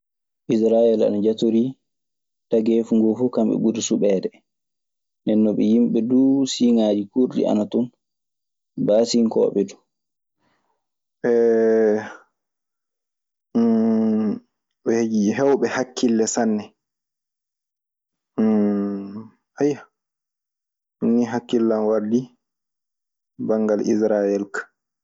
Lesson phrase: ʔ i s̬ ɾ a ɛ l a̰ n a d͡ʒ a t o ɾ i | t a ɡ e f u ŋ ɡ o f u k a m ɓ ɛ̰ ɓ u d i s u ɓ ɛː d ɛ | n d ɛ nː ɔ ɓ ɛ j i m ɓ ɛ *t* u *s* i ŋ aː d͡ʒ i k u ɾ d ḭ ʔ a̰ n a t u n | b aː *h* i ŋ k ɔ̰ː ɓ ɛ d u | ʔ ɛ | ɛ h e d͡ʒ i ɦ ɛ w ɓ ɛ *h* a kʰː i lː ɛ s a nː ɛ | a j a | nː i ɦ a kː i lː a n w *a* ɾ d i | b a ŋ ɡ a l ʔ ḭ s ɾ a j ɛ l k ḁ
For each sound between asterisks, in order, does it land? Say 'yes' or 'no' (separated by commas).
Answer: no, yes, no, yes, yes